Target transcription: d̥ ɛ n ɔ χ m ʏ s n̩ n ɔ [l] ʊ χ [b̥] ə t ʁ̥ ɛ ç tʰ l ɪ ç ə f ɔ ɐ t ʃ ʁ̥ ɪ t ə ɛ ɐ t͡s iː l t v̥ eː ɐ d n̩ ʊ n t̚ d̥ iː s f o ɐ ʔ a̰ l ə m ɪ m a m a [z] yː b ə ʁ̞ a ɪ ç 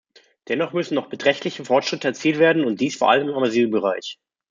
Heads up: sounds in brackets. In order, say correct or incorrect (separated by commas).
incorrect, correct, correct